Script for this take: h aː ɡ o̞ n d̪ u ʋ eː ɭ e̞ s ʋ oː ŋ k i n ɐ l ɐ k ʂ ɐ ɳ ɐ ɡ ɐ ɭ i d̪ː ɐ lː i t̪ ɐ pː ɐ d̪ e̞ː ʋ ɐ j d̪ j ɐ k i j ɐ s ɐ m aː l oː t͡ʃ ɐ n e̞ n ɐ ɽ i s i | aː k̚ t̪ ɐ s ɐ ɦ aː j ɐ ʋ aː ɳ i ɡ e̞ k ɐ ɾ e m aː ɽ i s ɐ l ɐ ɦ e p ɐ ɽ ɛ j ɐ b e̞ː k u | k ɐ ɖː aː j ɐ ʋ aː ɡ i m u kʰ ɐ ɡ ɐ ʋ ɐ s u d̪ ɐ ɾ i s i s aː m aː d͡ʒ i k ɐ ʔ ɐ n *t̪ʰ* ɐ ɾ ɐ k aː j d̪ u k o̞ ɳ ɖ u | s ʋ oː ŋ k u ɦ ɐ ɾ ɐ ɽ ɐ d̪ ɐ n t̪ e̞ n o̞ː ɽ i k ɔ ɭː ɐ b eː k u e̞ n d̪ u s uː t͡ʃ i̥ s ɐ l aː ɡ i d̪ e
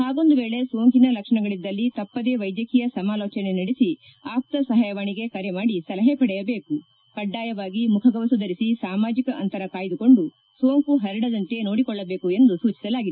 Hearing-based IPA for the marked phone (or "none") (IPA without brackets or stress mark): t̪